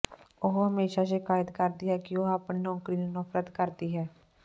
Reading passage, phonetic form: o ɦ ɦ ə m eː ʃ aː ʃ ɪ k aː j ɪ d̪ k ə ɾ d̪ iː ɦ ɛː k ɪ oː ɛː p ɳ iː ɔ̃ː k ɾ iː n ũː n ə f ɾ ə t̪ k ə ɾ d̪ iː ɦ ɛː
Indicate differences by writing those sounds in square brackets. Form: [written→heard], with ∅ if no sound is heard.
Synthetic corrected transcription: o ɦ ɦ ə m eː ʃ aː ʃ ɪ k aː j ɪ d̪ k ə ɾ d̪ iː ɦ ɛː k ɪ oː [ɛː→aː] p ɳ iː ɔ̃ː k ɾ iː n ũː n ə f ɾ ə t̪ k ə ɾ d̪ iː ɦ ɛː